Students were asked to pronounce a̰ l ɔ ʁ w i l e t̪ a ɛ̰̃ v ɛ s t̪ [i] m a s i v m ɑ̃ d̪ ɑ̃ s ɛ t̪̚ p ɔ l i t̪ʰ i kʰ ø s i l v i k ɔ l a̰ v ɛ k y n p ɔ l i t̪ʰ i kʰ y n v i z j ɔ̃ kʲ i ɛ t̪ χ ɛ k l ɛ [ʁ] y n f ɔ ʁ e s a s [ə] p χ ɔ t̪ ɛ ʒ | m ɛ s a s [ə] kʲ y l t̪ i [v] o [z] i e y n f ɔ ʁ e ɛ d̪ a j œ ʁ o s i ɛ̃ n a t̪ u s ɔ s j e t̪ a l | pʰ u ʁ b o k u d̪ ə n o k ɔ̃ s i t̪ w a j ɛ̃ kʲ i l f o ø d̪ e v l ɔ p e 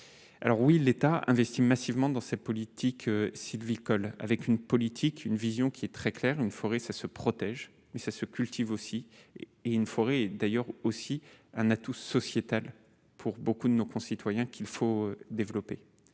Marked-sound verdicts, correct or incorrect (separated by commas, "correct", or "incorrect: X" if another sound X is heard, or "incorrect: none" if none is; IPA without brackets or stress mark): correct, correct, correct, correct, correct, incorrect: s